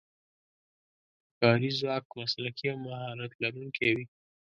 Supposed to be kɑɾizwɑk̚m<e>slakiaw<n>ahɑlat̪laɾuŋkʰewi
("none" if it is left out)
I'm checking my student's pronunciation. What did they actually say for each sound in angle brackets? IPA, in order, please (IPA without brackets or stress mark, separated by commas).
a, m